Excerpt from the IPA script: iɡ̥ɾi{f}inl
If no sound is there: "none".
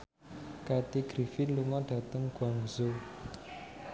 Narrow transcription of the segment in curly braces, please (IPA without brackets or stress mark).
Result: f